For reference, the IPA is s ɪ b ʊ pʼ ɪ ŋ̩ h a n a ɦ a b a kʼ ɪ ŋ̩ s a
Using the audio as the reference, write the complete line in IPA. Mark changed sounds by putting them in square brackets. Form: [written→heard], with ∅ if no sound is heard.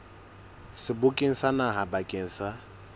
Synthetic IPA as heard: s ɪ b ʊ [pʼ→kʼ] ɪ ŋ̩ [h→s] a n a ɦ a b a kʼ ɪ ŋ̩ s a

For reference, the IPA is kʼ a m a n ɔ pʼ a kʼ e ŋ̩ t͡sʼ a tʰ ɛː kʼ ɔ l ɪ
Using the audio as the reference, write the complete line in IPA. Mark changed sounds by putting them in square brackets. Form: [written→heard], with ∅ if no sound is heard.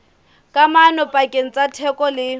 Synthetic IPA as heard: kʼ a m a n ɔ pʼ a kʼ e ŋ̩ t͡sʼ a tʰ [ɛː→ɛ] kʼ ɔ l ɪ

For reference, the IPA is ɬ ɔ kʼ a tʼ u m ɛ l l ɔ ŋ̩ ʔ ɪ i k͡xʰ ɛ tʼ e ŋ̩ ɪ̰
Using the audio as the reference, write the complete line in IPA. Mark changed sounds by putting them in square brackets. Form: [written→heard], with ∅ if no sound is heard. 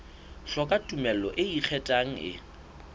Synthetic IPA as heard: ɬ ɔ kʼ a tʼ u m ɛ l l ɔ [ŋ̩→∅] ʔ ɪ i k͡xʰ ɛ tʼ [e→a] ŋ̩ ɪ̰

